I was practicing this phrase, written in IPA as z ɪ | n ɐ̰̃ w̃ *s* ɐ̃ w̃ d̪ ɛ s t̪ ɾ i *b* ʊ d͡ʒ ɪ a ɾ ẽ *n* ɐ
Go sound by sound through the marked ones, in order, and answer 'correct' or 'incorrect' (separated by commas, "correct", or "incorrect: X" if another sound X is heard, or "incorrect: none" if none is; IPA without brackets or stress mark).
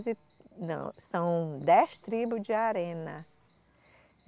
correct, correct, correct